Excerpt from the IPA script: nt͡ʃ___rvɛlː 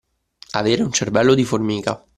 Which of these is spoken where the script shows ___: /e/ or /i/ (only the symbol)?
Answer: e